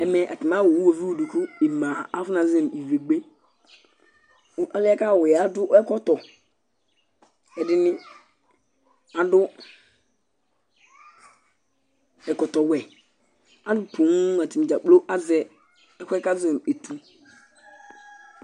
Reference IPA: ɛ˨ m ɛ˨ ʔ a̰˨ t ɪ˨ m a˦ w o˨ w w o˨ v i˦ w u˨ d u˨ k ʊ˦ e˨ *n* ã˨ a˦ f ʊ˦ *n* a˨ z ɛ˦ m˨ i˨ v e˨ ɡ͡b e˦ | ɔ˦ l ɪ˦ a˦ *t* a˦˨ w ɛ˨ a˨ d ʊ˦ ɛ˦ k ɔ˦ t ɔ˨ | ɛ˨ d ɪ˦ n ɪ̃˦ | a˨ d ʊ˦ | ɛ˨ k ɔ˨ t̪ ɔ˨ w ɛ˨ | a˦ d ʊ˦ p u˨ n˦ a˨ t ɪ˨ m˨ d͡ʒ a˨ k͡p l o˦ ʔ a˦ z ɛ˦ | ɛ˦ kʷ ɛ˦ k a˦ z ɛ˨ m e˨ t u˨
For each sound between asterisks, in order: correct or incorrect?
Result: incorrect, correct, incorrect

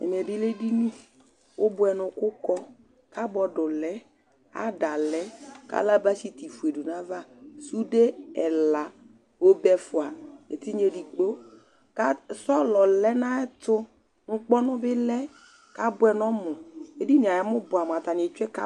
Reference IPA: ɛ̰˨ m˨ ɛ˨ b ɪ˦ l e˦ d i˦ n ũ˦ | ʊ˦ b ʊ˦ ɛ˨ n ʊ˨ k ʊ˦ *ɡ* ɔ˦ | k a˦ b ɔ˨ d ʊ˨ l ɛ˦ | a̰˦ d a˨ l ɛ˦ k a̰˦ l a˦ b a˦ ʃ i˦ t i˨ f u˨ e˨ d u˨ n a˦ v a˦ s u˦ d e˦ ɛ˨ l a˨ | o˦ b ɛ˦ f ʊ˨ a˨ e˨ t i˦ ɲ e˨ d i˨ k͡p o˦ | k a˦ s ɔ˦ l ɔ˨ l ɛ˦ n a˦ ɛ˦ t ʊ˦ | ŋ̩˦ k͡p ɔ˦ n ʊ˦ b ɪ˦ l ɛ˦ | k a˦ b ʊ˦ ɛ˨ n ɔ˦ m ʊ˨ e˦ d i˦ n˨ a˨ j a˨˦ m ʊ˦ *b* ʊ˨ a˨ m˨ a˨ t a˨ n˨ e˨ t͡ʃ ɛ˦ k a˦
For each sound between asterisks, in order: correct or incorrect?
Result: incorrect, correct

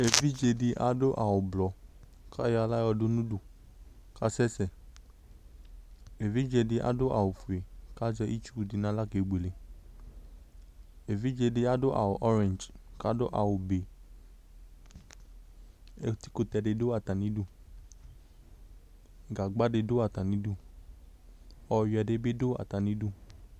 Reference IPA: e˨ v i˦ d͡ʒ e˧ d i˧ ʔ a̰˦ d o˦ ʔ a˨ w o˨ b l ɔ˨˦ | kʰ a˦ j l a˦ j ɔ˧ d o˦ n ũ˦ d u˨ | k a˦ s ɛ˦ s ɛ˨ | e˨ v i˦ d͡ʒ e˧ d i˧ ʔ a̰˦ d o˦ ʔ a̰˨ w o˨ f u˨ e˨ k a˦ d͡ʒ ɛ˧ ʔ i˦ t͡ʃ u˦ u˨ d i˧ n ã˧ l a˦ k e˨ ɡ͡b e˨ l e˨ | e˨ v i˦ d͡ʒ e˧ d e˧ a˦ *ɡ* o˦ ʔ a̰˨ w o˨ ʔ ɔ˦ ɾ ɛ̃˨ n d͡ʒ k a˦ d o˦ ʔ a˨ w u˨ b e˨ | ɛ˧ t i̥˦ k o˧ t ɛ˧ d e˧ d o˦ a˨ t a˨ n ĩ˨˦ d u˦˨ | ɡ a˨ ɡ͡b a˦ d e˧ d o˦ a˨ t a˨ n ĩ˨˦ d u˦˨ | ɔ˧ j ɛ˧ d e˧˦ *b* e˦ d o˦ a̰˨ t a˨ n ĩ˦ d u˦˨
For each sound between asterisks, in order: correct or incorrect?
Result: incorrect, correct

